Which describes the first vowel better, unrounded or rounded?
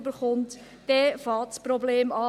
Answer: unrounded